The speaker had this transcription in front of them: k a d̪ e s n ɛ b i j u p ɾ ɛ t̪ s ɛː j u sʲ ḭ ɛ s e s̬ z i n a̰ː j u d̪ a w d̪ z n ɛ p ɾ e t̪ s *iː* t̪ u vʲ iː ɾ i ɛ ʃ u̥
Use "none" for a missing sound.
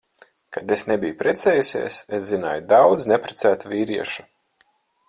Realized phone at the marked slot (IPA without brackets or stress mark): æː